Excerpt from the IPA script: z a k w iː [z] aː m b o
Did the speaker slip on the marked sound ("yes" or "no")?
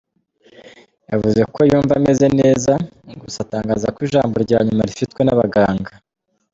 yes